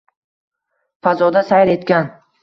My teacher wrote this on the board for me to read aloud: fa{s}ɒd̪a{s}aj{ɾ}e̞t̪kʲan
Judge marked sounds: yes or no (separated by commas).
no, yes, yes